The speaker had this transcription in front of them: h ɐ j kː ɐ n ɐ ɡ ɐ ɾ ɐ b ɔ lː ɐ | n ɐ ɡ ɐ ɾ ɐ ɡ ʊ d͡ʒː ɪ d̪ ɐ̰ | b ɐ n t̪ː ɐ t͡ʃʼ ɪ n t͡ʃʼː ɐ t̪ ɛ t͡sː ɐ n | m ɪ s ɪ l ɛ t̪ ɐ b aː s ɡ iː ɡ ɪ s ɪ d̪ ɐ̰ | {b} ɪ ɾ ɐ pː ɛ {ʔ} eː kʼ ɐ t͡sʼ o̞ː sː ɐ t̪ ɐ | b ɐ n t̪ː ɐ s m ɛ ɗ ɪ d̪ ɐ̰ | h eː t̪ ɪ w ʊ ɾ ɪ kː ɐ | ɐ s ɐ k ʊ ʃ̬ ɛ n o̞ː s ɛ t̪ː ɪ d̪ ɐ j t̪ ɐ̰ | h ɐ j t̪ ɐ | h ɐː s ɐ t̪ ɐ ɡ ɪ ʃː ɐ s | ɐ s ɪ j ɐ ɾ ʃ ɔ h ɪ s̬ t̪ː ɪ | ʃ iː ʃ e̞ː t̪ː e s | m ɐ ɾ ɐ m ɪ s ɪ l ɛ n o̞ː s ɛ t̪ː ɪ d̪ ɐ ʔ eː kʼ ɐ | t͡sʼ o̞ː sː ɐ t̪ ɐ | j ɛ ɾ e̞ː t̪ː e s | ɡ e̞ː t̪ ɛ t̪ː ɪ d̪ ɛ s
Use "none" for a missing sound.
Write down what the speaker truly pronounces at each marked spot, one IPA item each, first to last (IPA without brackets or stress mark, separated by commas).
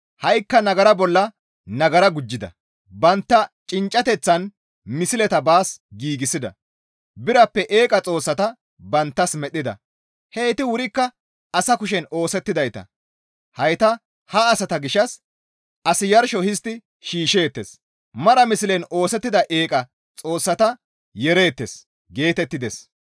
b, ʔ